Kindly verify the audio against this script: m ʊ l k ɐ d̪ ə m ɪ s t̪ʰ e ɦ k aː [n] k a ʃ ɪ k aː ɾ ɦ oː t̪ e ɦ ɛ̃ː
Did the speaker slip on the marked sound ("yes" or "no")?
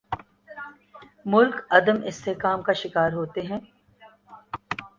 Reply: yes